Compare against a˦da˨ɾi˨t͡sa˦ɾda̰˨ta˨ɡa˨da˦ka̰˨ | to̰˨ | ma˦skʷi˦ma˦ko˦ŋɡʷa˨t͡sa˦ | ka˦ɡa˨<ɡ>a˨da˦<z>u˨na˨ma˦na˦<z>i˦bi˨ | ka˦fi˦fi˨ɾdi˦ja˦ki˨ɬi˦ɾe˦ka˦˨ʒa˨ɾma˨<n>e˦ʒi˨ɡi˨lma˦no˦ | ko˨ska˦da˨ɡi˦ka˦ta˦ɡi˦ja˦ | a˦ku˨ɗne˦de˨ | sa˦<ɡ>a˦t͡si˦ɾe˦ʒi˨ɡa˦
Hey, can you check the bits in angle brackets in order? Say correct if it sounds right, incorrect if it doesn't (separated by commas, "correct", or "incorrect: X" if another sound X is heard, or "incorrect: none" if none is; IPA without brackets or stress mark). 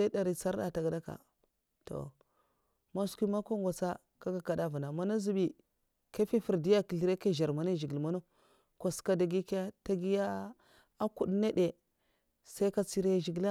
incorrect: k, incorrect: v, correct, correct, incorrect: k